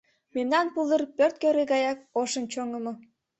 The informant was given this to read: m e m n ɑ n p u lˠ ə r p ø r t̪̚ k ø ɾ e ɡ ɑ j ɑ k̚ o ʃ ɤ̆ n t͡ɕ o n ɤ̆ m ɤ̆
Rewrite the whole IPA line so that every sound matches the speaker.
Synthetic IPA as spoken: m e m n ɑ n p u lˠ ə r p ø r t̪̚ k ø ɾ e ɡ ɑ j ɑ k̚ o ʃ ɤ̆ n t͡ɕ o ŋ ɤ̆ m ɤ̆